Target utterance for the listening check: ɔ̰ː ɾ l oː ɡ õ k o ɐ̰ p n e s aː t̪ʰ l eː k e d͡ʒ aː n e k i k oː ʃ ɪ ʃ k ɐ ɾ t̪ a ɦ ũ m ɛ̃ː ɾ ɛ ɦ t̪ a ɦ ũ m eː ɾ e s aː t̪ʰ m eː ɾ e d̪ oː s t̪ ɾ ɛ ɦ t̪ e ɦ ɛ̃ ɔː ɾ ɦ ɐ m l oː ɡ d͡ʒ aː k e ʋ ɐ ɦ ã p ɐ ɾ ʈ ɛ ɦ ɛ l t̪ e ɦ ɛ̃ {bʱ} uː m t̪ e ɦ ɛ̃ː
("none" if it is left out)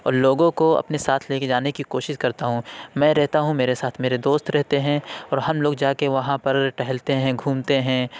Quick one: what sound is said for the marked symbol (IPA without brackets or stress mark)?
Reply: ɡʱ